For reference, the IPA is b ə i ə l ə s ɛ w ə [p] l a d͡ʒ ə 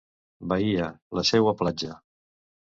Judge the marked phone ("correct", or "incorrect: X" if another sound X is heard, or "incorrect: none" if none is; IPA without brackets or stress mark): correct